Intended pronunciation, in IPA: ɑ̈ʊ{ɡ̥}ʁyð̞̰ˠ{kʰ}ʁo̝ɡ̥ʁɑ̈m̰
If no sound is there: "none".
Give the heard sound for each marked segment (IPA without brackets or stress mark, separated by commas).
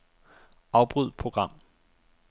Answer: b̥, pʰ